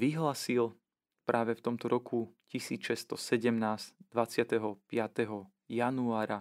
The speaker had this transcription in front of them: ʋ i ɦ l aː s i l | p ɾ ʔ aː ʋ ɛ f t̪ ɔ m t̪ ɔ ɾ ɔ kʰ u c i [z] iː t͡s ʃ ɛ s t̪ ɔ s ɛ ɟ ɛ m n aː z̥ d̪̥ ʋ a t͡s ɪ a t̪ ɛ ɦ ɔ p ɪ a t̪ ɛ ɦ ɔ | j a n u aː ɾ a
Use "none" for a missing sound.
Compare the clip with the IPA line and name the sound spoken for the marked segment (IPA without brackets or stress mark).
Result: s